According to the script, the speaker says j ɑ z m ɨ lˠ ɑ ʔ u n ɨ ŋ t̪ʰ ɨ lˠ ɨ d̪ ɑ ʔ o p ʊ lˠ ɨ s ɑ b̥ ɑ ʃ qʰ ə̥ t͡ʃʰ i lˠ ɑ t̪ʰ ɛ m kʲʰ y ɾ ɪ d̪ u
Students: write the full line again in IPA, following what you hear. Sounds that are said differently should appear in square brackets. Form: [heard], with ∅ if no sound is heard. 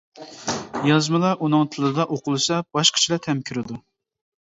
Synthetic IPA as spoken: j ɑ z m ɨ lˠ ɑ ʔ u n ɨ ŋ t̪ʰ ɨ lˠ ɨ d̪ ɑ ʔ o [q] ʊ lˠ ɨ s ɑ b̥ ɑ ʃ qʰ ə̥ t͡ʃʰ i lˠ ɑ t̪ʰ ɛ m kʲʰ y ɾ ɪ d̪ u